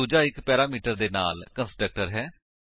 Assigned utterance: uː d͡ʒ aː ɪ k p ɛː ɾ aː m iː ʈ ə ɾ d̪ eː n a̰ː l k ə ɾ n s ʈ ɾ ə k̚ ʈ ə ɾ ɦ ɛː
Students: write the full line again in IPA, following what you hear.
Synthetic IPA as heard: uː d͡ʒ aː ɪ k p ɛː ɾ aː m iː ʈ ə ɾ d̪ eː n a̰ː l k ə n s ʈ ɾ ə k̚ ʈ ə ɾ ɦ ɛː